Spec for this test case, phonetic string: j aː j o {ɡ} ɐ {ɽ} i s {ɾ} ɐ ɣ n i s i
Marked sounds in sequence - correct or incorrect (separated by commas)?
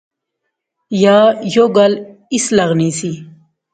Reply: correct, incorrect, incorrect